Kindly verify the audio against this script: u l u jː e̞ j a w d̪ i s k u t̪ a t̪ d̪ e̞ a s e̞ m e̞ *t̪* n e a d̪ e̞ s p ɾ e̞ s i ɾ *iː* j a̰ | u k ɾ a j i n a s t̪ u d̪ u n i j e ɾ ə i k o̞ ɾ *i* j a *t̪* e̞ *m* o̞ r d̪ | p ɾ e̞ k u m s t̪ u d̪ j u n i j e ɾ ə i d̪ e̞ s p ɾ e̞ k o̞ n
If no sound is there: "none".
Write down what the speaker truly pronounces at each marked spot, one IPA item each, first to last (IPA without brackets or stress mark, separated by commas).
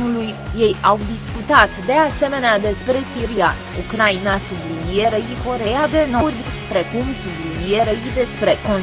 none, i, e, d̪, n